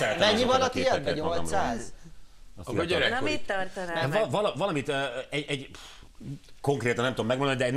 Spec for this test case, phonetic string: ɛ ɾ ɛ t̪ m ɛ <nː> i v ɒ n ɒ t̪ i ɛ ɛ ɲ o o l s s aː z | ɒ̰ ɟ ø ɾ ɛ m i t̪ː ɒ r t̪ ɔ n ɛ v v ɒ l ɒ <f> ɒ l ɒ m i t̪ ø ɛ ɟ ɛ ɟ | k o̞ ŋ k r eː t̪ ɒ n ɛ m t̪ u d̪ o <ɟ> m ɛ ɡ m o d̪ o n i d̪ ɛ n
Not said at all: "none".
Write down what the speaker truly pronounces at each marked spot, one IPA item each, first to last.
ɲː, v, none

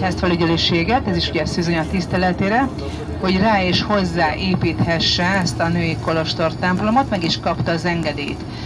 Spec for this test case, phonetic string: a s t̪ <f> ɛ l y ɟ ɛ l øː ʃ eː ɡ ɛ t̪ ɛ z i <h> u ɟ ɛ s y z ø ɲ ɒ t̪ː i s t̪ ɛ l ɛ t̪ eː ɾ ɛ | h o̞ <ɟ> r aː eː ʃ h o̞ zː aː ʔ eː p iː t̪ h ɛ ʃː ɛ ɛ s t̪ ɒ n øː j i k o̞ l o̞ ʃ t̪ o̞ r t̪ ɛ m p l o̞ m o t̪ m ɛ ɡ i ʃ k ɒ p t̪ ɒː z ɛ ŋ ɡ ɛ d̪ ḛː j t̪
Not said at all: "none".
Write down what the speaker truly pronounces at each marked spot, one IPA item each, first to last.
f, ʃ, ɟ

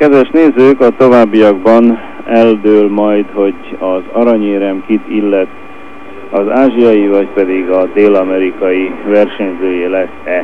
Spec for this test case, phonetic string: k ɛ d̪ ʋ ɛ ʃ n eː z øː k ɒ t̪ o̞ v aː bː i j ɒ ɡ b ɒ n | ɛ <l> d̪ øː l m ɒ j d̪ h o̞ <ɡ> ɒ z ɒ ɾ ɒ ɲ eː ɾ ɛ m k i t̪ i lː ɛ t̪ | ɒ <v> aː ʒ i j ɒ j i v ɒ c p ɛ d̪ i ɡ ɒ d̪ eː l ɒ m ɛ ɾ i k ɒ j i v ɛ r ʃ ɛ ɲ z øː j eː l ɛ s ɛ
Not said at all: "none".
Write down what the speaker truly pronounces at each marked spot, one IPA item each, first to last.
l, ɟ, z

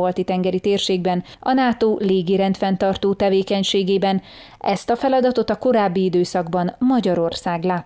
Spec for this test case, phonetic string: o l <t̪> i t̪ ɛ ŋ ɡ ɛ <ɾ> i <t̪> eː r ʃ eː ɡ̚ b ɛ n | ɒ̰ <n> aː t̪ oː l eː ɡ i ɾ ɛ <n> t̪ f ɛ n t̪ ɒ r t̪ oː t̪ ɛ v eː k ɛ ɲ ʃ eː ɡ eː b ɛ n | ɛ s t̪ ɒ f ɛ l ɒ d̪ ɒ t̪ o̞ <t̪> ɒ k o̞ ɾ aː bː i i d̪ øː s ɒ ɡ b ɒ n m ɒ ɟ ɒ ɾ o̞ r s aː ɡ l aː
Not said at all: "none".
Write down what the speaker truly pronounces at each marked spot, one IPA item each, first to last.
t̪, ɾ, t̪, n, n, t̪

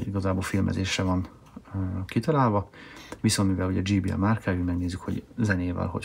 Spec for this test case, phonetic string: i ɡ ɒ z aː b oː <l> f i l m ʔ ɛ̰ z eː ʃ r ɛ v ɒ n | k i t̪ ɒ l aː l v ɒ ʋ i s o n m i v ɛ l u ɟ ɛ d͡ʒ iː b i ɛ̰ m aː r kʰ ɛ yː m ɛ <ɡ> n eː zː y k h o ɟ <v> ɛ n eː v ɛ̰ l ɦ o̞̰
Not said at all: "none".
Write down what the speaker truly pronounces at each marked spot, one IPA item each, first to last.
l, ɡ, z

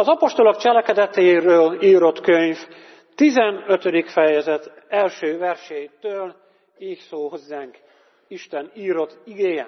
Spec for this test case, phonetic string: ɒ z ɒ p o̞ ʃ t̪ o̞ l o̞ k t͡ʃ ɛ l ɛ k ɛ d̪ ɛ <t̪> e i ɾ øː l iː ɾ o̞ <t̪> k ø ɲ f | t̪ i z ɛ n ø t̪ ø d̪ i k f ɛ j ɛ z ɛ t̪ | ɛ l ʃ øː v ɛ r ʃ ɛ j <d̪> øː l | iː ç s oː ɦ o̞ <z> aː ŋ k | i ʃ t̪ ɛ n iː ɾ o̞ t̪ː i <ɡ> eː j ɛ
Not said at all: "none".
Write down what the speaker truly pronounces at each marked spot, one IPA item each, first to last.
t̪, t̪, t̪, zː, ɡ

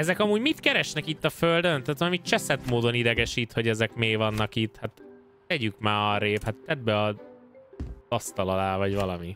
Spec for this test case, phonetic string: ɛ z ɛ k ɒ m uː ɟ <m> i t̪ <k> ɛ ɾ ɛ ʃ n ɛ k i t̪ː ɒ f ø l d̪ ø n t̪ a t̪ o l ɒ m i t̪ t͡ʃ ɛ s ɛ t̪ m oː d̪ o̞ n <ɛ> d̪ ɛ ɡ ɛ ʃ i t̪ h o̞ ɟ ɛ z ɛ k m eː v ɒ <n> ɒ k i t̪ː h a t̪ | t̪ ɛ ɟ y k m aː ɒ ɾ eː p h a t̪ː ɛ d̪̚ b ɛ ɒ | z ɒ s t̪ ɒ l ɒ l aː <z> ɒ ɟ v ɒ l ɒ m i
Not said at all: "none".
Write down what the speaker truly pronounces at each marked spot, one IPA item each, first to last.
m, k, i, nː, v

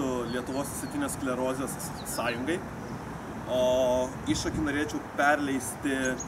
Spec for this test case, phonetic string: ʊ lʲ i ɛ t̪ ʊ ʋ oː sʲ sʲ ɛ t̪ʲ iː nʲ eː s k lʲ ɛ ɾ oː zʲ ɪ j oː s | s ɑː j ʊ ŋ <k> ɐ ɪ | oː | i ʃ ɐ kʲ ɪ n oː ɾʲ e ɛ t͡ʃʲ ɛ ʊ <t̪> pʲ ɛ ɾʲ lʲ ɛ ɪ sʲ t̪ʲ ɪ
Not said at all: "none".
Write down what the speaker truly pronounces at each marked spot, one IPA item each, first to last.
ɡ, none

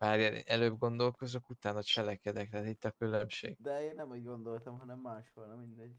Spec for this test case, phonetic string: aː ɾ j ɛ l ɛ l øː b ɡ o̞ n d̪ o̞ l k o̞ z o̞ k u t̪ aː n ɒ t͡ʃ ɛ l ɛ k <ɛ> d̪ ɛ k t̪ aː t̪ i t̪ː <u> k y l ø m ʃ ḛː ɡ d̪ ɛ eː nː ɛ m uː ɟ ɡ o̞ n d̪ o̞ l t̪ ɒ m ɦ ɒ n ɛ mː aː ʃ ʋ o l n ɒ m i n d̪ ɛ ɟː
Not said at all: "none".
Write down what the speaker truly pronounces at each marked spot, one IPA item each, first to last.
ɛ, ɒ

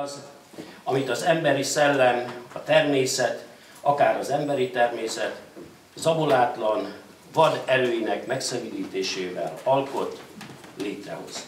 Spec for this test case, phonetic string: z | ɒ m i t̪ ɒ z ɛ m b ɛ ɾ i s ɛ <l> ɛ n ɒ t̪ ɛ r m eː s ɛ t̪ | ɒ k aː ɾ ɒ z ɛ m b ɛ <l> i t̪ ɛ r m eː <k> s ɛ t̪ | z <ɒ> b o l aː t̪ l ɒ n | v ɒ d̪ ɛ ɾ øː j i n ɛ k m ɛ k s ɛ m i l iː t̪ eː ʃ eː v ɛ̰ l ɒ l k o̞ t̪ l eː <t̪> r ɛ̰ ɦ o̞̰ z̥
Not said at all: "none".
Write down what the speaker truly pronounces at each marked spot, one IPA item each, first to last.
lː, ɾ, none, ɒ, t̪

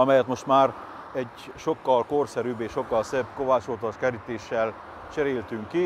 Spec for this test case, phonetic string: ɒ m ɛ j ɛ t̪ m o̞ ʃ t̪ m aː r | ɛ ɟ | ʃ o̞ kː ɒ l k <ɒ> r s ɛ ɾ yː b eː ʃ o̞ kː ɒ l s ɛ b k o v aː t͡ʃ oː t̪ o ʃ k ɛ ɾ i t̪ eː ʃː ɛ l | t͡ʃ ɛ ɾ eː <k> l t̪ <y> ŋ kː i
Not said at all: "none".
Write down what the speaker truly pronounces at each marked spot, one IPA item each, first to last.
o, none, y

